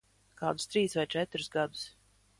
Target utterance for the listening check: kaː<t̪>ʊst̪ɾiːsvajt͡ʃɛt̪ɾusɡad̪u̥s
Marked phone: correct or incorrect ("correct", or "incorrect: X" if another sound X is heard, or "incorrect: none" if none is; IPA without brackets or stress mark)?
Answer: incorrect: d̪